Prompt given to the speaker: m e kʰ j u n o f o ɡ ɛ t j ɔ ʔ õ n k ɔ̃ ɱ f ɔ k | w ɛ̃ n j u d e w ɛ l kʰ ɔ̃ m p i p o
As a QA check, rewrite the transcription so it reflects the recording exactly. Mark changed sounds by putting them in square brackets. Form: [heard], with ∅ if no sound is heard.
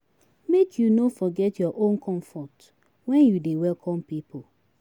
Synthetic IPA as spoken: m e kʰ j u n o f [ɔ] ɡ ɛ t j ɔ ʔ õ n k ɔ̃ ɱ f ɔ [t] | w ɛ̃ n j u d e w ɛ l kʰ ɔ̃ m p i p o